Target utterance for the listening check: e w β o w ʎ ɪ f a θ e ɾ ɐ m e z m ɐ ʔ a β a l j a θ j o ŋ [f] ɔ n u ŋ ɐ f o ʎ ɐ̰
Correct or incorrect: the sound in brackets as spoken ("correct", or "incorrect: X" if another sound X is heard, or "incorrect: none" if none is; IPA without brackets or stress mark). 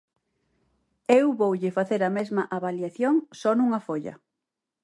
incorrect: s